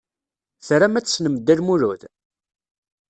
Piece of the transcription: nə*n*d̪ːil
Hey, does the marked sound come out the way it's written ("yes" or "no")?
no